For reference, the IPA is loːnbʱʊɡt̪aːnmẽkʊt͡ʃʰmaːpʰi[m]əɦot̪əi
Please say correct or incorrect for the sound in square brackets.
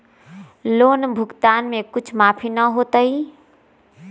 incorrect